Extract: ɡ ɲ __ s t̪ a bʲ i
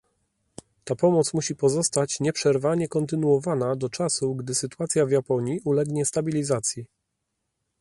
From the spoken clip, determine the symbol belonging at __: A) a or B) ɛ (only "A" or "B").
B